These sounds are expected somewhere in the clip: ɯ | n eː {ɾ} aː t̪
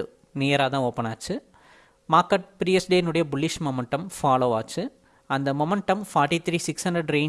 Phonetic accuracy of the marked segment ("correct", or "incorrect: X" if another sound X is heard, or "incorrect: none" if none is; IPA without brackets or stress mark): correct